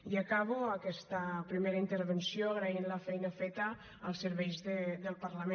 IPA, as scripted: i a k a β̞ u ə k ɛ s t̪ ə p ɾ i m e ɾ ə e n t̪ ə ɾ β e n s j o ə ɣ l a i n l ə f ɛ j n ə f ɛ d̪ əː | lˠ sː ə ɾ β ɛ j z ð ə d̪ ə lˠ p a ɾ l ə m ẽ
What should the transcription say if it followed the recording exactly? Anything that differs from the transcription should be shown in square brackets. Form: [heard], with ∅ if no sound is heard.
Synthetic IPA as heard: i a k a β̞ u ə k ɛ s t̪ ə p ɾ i m e ɾ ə [i] n t̪ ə ɾ β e n s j o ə ɣ [ɾ] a i n l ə f ɛ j n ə f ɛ [t̪] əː | lˠ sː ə ɾ β ɛ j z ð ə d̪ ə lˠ p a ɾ l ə m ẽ